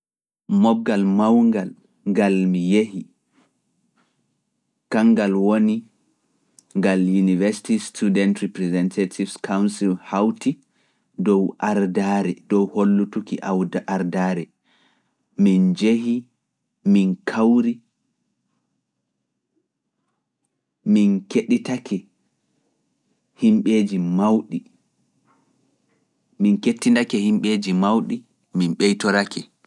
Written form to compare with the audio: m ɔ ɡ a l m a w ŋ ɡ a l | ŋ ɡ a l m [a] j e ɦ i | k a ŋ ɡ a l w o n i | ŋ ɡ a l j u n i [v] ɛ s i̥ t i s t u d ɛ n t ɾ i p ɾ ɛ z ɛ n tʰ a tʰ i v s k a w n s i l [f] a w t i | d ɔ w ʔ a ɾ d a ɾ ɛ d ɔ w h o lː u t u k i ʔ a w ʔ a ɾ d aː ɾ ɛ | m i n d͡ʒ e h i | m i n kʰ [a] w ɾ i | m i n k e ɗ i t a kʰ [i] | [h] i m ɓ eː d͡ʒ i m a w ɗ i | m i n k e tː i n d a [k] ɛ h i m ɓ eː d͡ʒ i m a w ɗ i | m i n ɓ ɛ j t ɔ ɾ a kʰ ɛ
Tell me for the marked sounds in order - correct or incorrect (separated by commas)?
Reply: incorrect, correct, incorrect, correct, incorrect, correct, correct